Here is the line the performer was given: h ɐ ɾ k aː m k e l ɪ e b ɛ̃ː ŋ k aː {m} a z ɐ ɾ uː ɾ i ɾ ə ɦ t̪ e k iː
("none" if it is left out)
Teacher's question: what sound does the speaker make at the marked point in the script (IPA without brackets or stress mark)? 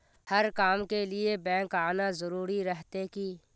n